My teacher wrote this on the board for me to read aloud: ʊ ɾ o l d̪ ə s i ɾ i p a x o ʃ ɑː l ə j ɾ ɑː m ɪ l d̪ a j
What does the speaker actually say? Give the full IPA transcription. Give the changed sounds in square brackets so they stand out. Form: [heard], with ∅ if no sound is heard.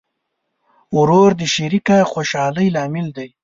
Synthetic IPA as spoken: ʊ ɾ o [ɾ] d̪ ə [ʃ] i ɾ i [k] a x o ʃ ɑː l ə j [l] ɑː m ɪ l d̪ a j